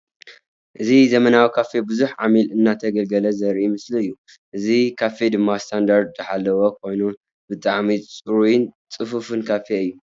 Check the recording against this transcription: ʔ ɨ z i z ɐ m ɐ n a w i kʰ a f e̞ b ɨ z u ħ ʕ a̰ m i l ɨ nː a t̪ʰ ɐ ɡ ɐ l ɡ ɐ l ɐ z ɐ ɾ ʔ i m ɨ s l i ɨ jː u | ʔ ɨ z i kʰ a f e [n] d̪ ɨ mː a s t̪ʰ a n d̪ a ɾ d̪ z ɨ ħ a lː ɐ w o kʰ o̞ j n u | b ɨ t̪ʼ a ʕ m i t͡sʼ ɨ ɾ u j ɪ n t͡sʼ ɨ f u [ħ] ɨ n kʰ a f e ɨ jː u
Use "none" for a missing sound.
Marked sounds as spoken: none, f

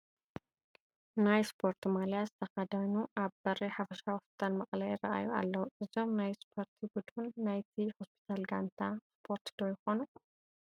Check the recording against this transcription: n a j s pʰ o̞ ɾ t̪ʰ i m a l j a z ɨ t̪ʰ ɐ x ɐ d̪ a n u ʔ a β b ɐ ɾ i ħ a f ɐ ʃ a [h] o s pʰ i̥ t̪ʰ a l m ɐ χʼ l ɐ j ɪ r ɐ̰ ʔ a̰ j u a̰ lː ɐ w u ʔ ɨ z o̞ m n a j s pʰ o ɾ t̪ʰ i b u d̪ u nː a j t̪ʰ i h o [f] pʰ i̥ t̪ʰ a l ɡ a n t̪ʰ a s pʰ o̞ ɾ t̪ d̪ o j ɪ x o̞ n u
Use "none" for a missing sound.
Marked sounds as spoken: h, s

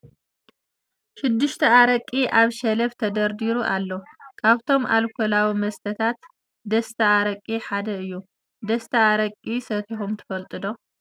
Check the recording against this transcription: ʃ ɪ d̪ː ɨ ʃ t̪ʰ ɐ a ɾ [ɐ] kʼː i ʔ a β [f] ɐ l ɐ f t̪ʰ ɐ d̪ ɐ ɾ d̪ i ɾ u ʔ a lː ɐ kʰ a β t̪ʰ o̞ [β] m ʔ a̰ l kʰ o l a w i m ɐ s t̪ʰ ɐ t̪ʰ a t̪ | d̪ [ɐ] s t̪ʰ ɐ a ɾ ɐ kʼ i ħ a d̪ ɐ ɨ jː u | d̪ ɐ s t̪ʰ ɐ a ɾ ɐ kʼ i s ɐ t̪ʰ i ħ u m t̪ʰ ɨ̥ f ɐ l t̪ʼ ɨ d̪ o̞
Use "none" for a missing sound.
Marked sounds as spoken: ɐ, ʃ, none, ɐ

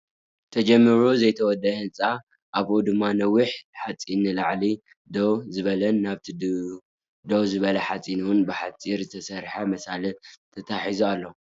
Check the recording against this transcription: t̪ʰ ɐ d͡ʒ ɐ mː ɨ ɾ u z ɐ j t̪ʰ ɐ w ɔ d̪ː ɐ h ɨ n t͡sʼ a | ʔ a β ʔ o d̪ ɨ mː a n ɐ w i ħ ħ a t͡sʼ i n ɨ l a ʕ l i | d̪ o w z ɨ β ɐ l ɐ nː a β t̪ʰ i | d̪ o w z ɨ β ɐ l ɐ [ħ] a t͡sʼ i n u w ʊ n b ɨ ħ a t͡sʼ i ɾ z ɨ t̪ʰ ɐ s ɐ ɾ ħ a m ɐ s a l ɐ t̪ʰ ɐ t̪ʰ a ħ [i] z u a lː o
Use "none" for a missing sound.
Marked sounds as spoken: ħ, i

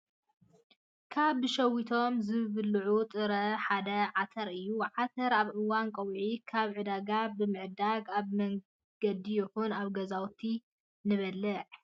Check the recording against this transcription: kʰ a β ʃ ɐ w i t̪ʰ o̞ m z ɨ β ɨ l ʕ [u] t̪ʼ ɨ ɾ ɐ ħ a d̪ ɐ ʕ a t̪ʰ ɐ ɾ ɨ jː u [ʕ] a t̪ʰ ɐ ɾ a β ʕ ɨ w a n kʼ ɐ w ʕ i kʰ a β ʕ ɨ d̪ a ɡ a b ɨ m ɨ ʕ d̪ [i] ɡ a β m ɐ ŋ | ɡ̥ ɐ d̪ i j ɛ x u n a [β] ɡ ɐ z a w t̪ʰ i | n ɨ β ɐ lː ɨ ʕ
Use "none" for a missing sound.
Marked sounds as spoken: u, ʕ, a, β

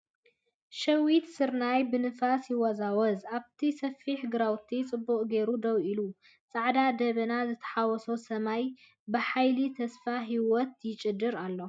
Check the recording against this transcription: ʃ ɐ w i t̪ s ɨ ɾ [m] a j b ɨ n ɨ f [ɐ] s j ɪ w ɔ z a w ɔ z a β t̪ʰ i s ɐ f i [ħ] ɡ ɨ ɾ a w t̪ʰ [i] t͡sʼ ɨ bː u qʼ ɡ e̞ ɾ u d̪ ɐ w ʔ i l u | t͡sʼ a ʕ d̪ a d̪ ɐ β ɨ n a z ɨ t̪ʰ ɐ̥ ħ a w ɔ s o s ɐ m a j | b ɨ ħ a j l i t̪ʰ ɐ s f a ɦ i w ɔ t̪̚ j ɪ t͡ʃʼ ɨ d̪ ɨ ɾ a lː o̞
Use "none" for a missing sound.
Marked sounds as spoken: n, a, ħ, i

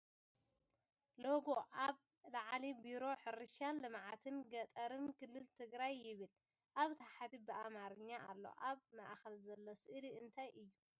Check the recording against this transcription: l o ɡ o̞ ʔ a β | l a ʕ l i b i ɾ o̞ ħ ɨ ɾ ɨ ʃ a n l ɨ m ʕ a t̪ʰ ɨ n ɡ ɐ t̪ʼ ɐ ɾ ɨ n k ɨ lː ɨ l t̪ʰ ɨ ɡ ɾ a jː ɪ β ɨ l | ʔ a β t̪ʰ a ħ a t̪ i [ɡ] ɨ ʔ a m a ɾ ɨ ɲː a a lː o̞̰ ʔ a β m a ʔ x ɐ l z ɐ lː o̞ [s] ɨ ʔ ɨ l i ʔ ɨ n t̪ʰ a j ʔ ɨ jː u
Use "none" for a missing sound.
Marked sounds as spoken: b, s

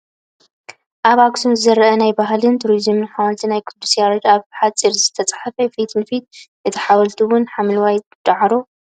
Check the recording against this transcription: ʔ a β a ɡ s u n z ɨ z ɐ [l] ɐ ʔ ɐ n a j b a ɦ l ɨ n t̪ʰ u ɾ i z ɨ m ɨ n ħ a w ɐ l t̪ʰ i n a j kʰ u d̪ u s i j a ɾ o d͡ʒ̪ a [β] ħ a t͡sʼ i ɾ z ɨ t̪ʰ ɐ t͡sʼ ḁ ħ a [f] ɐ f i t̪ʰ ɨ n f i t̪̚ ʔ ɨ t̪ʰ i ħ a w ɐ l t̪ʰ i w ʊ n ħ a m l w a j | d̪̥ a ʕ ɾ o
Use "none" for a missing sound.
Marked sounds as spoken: ɾ, β, f

